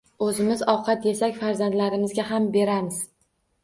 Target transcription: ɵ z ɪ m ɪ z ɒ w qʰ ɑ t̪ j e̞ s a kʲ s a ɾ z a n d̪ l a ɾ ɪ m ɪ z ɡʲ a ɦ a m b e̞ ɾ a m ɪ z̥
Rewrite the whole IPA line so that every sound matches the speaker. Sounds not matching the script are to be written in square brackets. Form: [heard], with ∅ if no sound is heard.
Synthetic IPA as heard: ɵ z ɪ m ɪ z ɒ w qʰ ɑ t̪ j e̞ s a kʲ [f] a ɾ z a n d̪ l a ɾ ɪ m ɪ z ɡʲ a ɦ a m b e̞ ɾ a m ɪ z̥